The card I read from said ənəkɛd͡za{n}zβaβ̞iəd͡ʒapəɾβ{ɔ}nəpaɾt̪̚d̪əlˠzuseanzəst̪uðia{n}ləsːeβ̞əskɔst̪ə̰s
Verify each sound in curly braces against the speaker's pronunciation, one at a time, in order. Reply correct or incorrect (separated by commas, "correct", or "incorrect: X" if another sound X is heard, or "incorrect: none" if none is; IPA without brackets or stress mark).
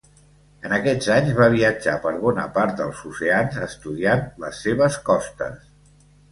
incorrect: ɲ, correct, correct